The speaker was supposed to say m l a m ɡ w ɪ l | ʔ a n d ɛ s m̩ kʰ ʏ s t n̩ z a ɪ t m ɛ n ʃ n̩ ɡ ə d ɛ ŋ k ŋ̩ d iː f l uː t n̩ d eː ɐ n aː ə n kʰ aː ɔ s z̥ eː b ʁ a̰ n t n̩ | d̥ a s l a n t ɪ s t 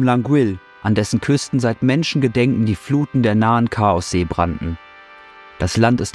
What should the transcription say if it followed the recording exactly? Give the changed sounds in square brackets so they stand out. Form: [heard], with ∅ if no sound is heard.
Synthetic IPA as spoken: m l a [ŋ] ɡ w ɪ l | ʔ a n d ɛ s [n̩] kʰ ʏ s t n̩ z a ɪ t m ɛ n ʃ n̩ ɡ ə d ɛ ŋ k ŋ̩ d iː f l uː t n̩ d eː ɐ n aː ə n kʰ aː ɔ s z̥ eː b ʁ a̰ n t n̩ | d̥ a s l a n t ɪ s t

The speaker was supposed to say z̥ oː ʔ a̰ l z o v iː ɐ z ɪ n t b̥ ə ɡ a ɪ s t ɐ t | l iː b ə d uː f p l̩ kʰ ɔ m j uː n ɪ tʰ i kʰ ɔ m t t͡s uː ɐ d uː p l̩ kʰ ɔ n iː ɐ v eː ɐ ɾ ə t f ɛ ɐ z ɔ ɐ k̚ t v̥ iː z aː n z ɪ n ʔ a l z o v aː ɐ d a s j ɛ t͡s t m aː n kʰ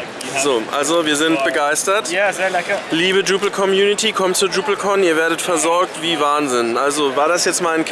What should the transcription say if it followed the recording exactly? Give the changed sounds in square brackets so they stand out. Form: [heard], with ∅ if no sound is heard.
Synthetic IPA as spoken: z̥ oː ʔ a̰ l z o v iː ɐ z ɪ n t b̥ ə ɡ a ɪ s t ɐ t | l iː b ə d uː [∅] p l̩ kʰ ɔ m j uː n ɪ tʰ i kʰ ɔ m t t͡s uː ɐ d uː p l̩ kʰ ɔ n iː ɐ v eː ɐ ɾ ə t f ɛ ɐ z ɔ ɐ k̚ t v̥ iː [v] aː n z ɪ n ʔ a l z o v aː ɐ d a s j ɛ t͡s t m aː n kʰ

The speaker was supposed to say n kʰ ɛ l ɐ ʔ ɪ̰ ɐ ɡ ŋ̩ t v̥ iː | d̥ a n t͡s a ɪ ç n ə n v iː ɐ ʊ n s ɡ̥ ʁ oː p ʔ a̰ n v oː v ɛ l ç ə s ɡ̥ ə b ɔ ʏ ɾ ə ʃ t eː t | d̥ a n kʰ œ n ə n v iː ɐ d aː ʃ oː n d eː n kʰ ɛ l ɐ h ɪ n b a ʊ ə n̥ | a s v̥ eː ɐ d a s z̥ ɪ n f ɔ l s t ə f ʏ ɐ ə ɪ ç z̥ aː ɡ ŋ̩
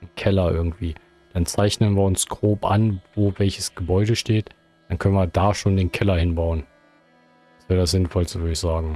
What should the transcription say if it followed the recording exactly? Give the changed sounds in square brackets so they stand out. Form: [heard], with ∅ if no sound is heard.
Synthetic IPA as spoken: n kʰ ɛ l ɐ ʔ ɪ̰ ɐ ɡ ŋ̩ t v̥ iː | d̥ a n t͡s a ɪ ç n ə n v iː ɐ ʊ n s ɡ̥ ʁ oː p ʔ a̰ n v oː v ɛ l ç ə s ɡ̥ ə b ɔ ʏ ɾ ə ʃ t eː t | d̥ a n kʰ œ n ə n v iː ɐ d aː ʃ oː n d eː n kʰ ɛ l ɐ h ɪ n b a ʊ ə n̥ | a s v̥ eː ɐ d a s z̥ ɪ n f ɔ l s t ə [v] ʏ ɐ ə ɪ ç z̥ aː ɡ ŋ̩

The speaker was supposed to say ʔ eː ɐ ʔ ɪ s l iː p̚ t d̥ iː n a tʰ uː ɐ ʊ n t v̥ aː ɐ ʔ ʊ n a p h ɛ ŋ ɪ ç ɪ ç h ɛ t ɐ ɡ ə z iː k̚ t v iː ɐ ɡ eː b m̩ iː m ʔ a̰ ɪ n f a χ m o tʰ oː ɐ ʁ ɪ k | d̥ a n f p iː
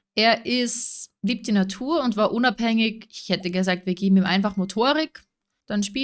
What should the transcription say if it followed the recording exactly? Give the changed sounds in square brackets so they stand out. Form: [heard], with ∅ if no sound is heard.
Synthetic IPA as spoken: ʔ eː ɐ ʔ ɪ s l iː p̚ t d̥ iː n a tʰ uː ɐ ʊ n t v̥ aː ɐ ʔ ʊ n a p h ɛ ŋ ɪ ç ɪ ç h ɛ t [ə] ɡ ə z [aː] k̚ t v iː ɐ ɡ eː b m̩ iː m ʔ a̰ ɪ n f a χ m o tʰ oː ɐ ʁ ɪ k | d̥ a n [ʃ] p iː

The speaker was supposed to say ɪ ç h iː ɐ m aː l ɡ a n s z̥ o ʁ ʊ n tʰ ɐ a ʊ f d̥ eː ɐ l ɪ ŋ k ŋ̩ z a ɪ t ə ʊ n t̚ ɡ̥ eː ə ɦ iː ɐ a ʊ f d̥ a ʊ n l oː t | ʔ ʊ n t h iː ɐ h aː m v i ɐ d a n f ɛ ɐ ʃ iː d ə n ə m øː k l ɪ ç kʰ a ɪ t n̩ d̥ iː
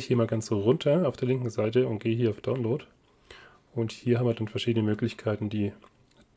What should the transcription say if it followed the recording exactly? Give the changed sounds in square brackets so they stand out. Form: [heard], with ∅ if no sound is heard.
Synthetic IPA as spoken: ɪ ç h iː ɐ m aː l ɡ a n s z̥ o ʁ ʊ n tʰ ɐ a ʊ f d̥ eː ɐ l ɪ ŋ k ŋ̩ z a ɪ t ə ʊ n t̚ ɡ̥ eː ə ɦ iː ɐ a ʊ f d̥ a ʊ n l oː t | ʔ ʊ n t h iː ɐ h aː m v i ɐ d a n f ɛ ɐ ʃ iː d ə n ə m øː k l ɪ ç kʰ a ɪ t n̩ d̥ iː

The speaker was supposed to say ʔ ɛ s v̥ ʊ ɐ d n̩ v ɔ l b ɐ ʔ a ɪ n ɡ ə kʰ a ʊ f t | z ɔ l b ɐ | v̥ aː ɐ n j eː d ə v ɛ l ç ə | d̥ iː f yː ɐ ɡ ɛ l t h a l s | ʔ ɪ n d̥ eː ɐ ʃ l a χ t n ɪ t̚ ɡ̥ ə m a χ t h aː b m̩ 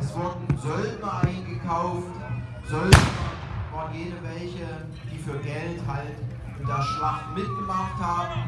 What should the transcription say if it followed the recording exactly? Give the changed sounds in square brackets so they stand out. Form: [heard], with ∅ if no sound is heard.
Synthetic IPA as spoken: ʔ ɛ s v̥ ʊ ɐ d n̩ [z] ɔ l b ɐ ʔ a ɪ n ɡ ə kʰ a ʊ f t | z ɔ l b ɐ | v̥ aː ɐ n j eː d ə v ɛ l ç ə | d̥ iː f yː ɐ ɡ ɛ l t h a l [t] | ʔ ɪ n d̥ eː ɐ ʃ l a χ t [m] ɪ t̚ ɡ̥ ə m a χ t h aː b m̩

